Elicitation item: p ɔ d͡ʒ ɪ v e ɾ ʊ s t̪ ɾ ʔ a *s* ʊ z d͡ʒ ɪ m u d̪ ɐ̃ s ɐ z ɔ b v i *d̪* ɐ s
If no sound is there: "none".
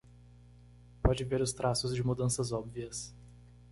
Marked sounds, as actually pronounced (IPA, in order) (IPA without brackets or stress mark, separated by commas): s, none